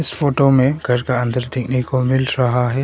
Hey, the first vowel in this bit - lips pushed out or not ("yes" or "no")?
no